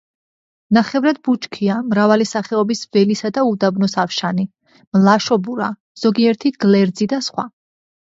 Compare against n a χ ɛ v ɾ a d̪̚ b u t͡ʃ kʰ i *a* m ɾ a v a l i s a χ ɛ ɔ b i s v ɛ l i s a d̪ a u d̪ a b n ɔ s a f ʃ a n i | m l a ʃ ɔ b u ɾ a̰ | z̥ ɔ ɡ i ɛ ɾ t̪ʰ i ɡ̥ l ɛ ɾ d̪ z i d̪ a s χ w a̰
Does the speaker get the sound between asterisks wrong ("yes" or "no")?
no